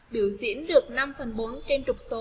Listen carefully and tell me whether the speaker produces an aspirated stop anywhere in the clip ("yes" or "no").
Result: no